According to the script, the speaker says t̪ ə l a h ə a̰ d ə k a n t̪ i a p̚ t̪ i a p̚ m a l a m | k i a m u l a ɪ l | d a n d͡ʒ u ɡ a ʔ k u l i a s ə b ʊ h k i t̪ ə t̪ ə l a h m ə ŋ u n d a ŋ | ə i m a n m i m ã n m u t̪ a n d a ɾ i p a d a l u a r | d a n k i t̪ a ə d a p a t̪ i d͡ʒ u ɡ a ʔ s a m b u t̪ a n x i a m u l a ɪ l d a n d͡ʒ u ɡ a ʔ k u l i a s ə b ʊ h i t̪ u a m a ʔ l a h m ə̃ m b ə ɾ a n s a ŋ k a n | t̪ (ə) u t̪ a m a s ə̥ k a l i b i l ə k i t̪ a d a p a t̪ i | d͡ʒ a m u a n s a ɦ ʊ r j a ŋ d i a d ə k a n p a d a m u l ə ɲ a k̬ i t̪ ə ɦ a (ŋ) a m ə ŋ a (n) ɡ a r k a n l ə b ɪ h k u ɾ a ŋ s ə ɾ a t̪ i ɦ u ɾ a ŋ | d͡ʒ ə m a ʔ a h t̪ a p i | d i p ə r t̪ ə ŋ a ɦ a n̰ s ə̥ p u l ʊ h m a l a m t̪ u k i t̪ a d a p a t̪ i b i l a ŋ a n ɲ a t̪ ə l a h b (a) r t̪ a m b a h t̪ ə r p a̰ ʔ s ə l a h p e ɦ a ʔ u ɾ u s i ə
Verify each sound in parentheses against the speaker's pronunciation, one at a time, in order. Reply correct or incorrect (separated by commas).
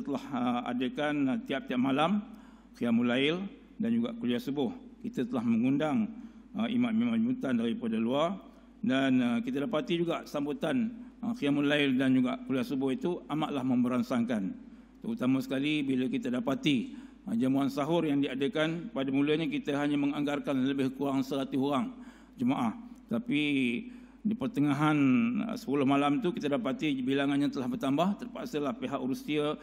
correct, incorrect, incorrect, incorrect